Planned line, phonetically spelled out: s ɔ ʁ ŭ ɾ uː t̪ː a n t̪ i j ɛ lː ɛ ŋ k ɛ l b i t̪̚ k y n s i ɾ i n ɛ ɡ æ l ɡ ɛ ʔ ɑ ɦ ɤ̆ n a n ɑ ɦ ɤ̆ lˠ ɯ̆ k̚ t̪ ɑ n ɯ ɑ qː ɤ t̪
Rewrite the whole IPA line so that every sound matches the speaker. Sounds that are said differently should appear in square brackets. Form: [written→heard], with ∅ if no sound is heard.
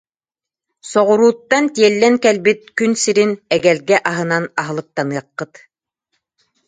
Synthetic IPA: s ɔ ʁ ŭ ɾ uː t̪ː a n t̪ i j ɛ lː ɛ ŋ k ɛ l b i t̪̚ k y n s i ɾ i n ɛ ɡ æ l ɡ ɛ ʔ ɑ ɦ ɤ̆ n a n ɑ ɦ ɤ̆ lˠ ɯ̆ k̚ t̪ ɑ n ɯ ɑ qː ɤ t̪

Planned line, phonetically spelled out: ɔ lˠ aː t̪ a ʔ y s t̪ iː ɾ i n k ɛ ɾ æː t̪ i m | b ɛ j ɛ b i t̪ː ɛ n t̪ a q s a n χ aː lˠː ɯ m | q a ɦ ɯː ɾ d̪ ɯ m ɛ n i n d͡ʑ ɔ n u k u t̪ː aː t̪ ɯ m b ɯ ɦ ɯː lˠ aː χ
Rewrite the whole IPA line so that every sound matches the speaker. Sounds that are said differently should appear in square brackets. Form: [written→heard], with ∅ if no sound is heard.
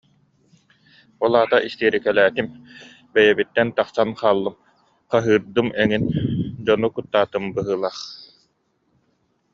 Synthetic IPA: ɔ lˠ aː t̪ a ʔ [y→i] s t̪ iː ɾ i [n→∅] k ɛ [ɾ→l] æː t̪ i m | b ɛ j ɛ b i t̪ː ɛ n t̪ a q s a n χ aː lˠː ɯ m | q a ɦ ɯː ɾ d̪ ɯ m ɛ [n→ŋ] i n d͡ʑ ɔ n u k u t̪ː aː t̪ ɯ m b ɯ ɦ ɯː lˠ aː χ

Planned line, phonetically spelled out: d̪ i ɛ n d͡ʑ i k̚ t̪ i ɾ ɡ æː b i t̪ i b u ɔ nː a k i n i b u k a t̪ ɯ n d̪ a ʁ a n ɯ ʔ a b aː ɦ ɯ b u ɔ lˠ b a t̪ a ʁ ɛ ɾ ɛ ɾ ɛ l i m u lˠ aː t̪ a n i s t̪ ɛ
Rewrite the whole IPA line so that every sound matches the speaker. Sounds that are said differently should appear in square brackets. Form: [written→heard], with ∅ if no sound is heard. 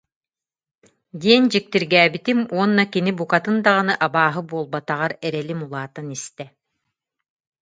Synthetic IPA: d̪ i ɛ n d͡ʑ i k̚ t̪ i ɾ ɡ æː b i t̪ i [b→m] u ɔ nː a k i n i b u k a t̪ ɯ n d̪ a ʁ a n ɯ ʔ a b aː ɦ ɯ b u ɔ lˠ b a t̪ a ʁ [ɛ→a] ɾ ɛ ɾ ɛ l i m u lˠ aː t̪ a n i s t̪ ɛ

